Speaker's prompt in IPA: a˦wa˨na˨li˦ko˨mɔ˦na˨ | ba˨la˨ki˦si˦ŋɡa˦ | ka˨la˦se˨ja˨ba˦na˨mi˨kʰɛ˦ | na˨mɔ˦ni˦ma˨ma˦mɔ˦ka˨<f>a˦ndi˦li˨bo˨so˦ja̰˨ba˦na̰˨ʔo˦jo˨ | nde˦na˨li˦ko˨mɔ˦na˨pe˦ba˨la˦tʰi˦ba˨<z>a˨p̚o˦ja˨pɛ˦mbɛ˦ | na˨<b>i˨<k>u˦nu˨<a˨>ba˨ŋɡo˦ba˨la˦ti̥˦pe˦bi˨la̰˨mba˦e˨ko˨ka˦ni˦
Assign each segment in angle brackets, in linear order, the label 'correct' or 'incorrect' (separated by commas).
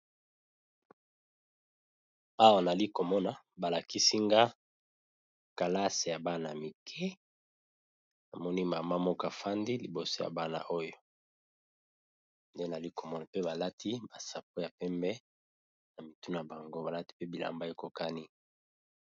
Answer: correct, incorrect, incorrect, incorrect, correct